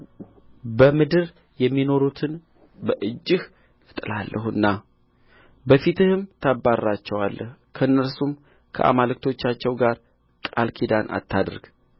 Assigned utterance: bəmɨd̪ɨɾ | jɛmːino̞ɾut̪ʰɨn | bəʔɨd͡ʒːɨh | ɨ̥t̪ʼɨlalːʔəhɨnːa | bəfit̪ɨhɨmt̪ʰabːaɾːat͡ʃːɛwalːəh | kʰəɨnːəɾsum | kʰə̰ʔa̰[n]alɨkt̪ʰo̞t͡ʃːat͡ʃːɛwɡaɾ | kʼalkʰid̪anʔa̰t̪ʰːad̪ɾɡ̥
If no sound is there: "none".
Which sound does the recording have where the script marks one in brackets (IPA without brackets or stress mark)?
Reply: m